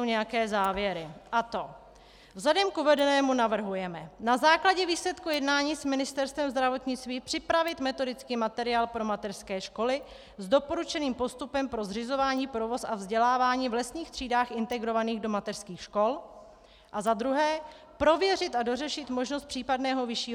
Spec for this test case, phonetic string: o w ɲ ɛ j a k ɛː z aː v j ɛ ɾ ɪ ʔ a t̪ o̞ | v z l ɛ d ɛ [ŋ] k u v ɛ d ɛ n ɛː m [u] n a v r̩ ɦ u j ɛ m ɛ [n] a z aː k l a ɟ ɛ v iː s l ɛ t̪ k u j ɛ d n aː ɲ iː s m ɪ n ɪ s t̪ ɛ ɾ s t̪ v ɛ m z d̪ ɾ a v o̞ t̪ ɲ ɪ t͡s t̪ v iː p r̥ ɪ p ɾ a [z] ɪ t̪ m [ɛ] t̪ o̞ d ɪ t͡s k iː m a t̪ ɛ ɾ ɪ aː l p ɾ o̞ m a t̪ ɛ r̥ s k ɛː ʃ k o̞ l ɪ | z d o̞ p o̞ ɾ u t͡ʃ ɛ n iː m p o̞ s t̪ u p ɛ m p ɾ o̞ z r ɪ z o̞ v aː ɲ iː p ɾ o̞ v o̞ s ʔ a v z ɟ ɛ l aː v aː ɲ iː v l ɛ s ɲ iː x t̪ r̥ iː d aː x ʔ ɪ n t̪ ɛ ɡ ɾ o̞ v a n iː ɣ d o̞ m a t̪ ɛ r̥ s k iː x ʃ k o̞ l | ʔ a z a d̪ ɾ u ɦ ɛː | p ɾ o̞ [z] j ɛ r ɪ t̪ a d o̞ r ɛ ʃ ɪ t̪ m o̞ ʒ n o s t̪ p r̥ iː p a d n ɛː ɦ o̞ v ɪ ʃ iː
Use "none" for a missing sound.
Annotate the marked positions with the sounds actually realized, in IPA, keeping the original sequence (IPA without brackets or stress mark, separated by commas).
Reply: m, u, n, v, ɛ, v